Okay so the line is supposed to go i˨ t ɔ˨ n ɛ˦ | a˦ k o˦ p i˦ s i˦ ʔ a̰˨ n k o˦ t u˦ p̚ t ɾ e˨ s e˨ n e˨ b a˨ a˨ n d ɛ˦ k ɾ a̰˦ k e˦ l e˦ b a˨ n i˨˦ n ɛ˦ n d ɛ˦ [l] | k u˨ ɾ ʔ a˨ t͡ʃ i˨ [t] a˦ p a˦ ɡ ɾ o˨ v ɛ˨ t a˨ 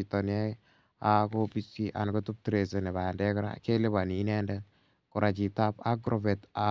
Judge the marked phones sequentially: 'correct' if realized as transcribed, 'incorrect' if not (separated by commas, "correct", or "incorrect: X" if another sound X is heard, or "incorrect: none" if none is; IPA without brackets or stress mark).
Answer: incorrect: none, correct